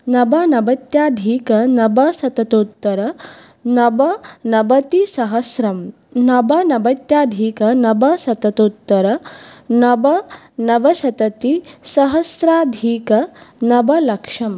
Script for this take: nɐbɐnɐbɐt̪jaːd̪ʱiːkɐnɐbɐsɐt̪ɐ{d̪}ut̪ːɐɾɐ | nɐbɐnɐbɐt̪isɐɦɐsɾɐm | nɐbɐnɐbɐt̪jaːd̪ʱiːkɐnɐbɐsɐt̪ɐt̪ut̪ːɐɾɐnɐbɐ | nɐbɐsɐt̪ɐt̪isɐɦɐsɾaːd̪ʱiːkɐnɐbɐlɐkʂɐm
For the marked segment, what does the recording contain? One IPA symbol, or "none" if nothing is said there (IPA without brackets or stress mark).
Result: t̪